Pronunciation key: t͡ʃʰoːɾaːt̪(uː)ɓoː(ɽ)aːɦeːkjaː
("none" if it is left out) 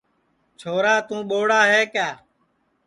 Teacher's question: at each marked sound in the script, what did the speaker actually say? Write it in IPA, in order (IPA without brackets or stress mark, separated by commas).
ũː, ɽ